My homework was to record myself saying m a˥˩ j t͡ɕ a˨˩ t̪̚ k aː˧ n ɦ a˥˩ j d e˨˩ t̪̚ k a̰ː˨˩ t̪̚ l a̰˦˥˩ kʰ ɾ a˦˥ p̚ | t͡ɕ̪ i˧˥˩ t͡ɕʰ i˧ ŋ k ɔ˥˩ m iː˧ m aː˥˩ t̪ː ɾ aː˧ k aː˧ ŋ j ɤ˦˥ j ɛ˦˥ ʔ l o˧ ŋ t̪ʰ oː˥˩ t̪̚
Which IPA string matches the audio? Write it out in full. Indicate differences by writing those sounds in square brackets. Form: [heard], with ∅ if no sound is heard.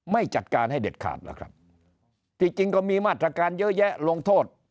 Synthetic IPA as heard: m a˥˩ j t͡ɕ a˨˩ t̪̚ k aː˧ n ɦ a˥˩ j d e˨˩ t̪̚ [kʰ] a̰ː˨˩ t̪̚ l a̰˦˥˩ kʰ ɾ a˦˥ p̚ | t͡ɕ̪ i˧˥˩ [t͡ɕ] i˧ ŋ k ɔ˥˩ m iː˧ m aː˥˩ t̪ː ɾ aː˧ k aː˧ [n] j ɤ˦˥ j ɛ˦˥ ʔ l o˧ ŋ t̪ʰ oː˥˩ t̪̚